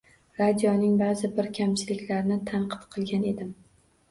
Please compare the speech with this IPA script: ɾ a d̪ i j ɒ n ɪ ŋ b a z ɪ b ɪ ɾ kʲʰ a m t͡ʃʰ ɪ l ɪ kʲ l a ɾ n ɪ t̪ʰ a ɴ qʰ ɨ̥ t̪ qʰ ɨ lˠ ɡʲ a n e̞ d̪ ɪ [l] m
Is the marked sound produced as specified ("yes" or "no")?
no